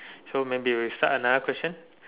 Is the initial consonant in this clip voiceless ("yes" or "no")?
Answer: yes